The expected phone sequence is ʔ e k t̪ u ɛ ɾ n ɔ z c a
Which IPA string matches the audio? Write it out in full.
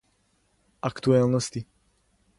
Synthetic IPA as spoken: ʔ a k t̪ u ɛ l n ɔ s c i